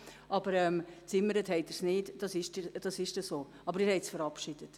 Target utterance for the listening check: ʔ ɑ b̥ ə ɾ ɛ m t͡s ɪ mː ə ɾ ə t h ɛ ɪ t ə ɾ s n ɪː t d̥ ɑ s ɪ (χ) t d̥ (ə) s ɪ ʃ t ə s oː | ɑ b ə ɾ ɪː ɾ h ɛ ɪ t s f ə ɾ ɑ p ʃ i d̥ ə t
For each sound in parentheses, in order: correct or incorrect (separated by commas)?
incorrect, incorrect